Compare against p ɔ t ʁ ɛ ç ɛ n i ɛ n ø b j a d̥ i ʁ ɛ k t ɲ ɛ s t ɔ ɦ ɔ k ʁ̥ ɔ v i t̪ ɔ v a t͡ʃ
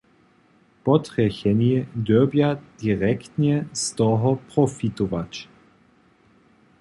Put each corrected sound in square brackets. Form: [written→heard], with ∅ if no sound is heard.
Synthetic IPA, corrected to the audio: p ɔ t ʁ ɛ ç ɛ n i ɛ [n→d] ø b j a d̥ i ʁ ɛ k t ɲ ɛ s t ɔ ɦ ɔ [k→p] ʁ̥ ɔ [v→f] i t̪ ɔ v a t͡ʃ